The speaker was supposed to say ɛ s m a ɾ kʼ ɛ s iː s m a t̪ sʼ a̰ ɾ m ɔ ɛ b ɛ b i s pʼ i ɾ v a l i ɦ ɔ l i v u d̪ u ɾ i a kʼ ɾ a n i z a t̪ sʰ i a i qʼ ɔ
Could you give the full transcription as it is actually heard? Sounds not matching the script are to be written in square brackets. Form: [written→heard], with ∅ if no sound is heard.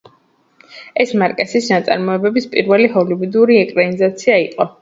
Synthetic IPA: ɛ s m a ɾ kʼ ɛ s [iː→i] s [m→n] a t̪ sʼ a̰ ɾ m ɔ ɛ b ɛ b i s pʼ i ɾ v [a→ɛ] l i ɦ ɔ l i v u d̪ u ɾ i [a→ɛ] kʼ ɾ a n i z a t̪ sʰ i a i qʼ ɔ